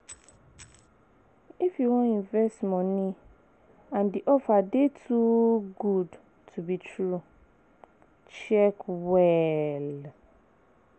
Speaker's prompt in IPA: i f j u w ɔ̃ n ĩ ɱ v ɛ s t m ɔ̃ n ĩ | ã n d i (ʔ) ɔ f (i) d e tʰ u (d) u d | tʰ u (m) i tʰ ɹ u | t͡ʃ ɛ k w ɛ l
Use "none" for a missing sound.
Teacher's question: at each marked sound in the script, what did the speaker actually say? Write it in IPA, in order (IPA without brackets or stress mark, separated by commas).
ʔ, a, ɡ, b